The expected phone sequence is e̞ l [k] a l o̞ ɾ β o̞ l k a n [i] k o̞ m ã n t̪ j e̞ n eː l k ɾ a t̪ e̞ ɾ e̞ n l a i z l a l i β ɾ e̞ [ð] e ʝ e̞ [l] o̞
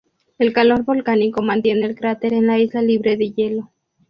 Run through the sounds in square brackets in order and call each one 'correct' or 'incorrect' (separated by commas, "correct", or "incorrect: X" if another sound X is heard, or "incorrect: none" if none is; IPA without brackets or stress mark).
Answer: correct, correct, correct, correct